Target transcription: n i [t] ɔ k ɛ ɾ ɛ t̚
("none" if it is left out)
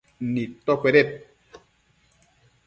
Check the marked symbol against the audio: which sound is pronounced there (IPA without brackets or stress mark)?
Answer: t